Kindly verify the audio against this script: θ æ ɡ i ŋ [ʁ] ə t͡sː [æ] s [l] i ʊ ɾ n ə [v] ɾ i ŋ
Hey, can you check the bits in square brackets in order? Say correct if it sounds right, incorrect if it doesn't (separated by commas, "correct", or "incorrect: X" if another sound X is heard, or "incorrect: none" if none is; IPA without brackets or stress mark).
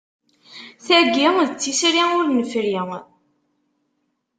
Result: incorrect: ð, incorrect: i, incorrect: ɾ, incorrect: f